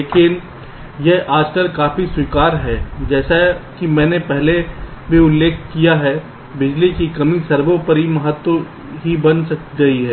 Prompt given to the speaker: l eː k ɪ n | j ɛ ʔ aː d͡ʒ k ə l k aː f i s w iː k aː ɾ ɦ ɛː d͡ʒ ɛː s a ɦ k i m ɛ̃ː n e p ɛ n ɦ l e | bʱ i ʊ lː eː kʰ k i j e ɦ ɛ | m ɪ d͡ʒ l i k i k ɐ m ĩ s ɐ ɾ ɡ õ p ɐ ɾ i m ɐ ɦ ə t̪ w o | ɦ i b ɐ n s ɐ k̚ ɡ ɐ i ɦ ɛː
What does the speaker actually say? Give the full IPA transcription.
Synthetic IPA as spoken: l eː k ɪ n | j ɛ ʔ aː d͡ʒ k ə l k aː f i s w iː k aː ɾ ɦ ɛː d͡ʒ ɛː s a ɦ k i m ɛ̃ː n e p ɛ ɦ l e | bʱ i ʊ lː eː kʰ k i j a ɦ ɛ | b ɪ d͡ʒ l i k i k ɐ m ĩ s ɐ ɾ b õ p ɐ ɾ i m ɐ ɦ ə t̪ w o | ɦ i b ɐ n s ɐ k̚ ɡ ɐ i ɦ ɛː

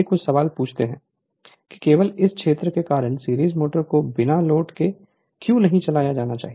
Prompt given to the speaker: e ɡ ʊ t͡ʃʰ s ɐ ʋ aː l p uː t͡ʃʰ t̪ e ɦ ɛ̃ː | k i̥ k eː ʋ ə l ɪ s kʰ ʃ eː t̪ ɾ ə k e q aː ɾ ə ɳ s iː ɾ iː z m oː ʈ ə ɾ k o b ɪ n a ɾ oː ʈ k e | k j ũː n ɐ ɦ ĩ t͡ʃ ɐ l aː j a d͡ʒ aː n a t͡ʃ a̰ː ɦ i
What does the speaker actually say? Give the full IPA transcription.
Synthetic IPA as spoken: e k ʊ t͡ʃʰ s ɐ ʋ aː l p uː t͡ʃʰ t̪ e ɦ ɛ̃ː | k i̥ k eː ʋ ə l ɪ s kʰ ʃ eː t̪ ɾ ə k e k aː ɾ ə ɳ s iː ɾ iː z m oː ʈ ə ɾ k o b ɪ n a l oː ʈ k e | k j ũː n ɐ ɦ ĩ t͡ʃ ɐ l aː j a d͡ʒ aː n a t͡ʃ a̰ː ɦ i

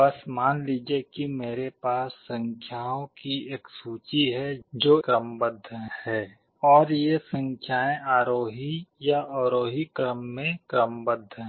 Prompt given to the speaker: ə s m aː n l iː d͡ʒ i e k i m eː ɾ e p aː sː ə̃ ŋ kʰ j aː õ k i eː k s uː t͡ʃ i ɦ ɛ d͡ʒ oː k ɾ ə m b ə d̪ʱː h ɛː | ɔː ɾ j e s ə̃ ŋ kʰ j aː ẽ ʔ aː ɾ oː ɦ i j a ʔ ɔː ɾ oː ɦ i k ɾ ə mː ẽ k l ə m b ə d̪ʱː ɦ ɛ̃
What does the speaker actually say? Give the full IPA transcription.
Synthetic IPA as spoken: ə s m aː n l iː d͡ʒ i e k i m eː ɾ e p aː sː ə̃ ŋ kʰ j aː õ k i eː k s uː t͡ʃ i ɦ ɛ d͡ʒ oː k ɾ ə m b ə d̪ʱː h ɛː | ɔː ɾ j e s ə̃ ŋ kʰ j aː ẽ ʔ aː ɾ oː ɦ i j a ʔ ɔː ɾ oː ɦ i k ɾ ə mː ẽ k ɾ ə m b ə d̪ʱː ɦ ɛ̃

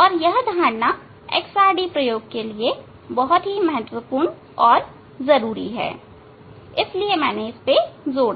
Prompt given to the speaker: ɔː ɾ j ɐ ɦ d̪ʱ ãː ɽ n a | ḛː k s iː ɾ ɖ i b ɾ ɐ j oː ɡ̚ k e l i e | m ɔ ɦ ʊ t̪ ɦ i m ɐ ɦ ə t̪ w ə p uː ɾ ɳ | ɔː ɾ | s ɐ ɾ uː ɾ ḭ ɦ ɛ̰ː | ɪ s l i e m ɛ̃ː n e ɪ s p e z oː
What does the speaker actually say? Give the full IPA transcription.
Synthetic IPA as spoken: ɔː ɾ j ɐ ɦ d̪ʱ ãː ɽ n a | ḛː k s aː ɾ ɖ i p ɾ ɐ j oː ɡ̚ k e l i e | b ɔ ɦ ʊ t̪ ɦ i m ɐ ɦ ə t̪ w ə p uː ɾ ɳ | ɔː ɾ | z ɐ ɾ uː ɾ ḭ ɦ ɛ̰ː | ɪ s l i e m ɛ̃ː n e ɪ s p e z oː

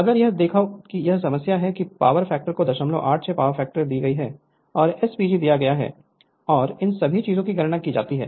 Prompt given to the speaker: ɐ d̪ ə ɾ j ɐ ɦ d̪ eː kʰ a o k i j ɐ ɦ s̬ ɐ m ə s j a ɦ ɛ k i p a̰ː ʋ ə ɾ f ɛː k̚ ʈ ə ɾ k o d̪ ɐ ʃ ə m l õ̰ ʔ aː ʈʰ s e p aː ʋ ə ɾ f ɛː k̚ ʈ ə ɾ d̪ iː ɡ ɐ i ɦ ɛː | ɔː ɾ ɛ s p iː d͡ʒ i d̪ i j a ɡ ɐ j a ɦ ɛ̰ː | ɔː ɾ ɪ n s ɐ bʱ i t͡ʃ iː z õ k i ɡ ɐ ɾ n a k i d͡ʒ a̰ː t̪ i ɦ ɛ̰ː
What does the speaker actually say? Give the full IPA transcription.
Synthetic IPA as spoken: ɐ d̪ ə ɾ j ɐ ɦ d̪ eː kʰ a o k i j ɐ ɦ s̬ ɐ m ə s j a ɦ ɛ k i p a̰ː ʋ ə ɾ f ɛː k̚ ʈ ə ɾ k o d̪ ɐ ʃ ə m l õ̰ ʔ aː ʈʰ s e p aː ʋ ə ɾ f ɛː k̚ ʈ ə ɾ d̪ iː ɡ ɐ i ɦ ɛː | ɔː ɾ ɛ s p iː d͡ʒ i d̪ i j a ɡ ɐ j a ɦ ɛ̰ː | ɔː ɾ ɪ n s ɐ bʱ i t͡ʃ iː z õ k i ɡ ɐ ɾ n a k i d͡ʒ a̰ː t̪ i ɦ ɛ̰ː

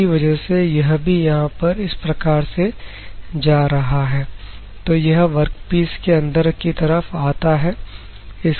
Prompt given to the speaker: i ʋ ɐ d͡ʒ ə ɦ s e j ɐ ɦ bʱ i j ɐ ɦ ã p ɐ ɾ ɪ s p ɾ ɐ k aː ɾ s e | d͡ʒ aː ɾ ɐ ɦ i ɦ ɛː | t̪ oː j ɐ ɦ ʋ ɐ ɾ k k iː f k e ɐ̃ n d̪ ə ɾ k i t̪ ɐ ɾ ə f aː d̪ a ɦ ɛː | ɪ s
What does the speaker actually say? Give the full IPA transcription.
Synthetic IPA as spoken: i ʋ ɐ d͡ʒ ə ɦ s e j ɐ ɦ bʱ i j ɐ ɦ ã p ɐ ɾ ɪ s p ɾ ɐ k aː ɾ s e | d͡ʒ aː ɾ ɐ ɦ a ɦ ɛː | t̪ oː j ɐ ɦ ʋ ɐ ɾ k p iː s k e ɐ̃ n d̪ ə ɾ k i t̪ ɐ ɾ ə f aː t̪ a ɦ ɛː | ɪ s

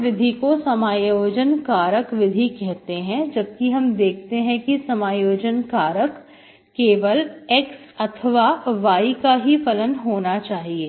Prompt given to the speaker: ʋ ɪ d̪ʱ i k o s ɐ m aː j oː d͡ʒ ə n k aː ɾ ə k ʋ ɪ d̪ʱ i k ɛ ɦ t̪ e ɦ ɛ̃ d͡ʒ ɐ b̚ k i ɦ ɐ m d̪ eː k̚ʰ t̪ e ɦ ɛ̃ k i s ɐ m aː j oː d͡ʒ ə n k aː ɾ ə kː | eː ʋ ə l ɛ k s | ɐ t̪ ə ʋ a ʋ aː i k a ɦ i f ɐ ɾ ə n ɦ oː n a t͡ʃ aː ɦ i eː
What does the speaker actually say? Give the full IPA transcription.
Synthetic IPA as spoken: ʋ ɪ d̪ʱ i k o s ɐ m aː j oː d͡ʒ ə n k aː ɾ ə k ʋ ɪ d̪ʱ i k ɛ ɦ t̪ e ɦ ɛ̃ d͡ʒ ɐ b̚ k i ɦ ɐ m d̪ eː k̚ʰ t̪ e ɦ ɛ̃ k i s ɐ m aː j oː d͡ʒ ə n k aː ɾ ə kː | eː ʋ ə l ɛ k s | ɐ t̪ʰ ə ʋ a ʋ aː i k a ɦ i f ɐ l ə n ɦ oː n a t͡ʃ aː ɦ i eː

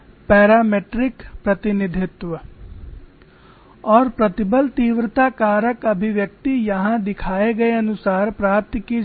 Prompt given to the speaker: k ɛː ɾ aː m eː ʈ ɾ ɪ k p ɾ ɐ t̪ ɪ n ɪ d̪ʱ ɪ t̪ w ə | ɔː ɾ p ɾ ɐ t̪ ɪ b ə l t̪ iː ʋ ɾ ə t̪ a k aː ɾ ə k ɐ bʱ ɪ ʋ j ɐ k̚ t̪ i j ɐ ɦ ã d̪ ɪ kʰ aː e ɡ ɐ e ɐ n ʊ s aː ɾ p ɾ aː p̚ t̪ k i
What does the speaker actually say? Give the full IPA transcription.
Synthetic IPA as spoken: p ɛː ɾ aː m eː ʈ ɾ ɪ k p ɾ ɐ t̪ ɪ n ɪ d̪ʱ ɪ t̪ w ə | ɔː ɾ p ɾ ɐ t̪ ɪ b ə l t̪ iː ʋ ɾ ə t̪ a k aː ɾ ə k ɐ bʱ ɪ ʋ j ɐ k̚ t̪ i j ɐ ɦ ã d̪ ɪ kʰ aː e ɡ ɐ e ɐ n ʊ s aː ɾ p ɾ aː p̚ t̪ k i

